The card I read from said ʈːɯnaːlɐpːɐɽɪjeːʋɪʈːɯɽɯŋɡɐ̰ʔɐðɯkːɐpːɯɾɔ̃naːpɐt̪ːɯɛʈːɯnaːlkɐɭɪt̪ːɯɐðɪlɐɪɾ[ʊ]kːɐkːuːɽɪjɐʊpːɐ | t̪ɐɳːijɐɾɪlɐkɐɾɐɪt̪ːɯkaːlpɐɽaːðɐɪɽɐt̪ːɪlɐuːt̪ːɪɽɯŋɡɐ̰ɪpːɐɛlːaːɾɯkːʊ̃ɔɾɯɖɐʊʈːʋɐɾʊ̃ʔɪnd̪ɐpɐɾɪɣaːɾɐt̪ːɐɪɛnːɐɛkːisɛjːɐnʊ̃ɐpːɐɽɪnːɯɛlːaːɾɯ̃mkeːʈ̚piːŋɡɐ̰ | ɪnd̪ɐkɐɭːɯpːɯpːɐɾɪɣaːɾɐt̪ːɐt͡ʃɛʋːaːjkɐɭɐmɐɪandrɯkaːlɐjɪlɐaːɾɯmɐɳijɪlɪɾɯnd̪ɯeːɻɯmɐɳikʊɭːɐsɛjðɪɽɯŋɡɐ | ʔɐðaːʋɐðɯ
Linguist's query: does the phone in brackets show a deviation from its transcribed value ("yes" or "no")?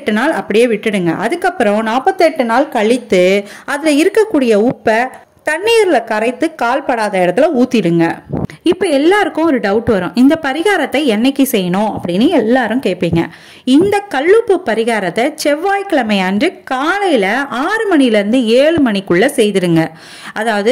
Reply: yes